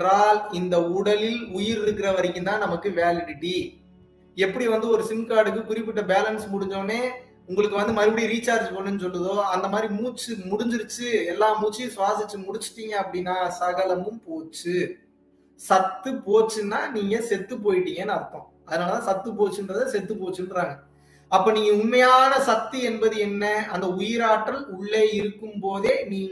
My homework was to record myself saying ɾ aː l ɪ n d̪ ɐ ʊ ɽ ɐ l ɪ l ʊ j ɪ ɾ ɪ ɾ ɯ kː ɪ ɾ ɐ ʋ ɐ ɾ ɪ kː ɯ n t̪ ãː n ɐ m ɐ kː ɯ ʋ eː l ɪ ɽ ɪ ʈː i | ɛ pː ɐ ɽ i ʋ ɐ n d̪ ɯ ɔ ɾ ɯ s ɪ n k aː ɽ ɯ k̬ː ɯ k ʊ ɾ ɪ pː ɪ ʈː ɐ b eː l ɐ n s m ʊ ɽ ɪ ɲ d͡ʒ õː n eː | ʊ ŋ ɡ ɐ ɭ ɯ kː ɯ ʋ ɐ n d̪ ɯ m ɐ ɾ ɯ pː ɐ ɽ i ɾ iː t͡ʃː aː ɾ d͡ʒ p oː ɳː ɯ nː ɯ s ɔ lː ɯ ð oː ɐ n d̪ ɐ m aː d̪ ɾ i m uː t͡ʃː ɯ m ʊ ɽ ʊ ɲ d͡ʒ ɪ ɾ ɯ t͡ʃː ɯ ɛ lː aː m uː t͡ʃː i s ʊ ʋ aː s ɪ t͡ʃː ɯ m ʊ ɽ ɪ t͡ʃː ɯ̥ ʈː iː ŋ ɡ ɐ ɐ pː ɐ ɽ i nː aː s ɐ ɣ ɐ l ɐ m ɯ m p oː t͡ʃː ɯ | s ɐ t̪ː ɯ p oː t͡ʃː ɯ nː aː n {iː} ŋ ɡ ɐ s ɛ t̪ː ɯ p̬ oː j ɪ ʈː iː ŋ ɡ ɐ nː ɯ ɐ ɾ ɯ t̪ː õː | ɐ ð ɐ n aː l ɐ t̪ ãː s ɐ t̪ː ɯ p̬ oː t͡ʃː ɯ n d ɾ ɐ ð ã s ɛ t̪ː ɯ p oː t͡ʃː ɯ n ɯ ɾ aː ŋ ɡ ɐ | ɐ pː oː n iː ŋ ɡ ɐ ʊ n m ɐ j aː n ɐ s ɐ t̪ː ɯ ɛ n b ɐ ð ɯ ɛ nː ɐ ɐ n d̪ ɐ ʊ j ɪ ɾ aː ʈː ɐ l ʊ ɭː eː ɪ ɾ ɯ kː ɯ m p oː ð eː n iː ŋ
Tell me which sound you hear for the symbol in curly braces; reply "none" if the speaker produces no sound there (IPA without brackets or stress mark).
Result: iː